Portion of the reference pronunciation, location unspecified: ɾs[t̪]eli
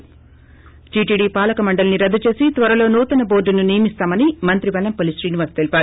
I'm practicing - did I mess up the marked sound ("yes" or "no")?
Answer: no